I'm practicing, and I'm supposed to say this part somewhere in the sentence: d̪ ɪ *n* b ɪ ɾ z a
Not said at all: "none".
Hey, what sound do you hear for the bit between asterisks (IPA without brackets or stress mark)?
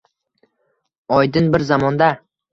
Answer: n